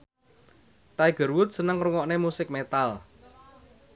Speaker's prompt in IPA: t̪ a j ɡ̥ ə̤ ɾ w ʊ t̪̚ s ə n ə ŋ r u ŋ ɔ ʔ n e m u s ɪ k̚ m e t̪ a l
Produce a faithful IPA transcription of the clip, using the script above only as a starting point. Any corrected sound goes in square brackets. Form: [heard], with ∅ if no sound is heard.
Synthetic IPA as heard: t̪ a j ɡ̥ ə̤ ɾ w ʊ t̪̚ s ə n ə ŋ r u ŋ ɔ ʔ n e m u s ɪ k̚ m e t̪ a l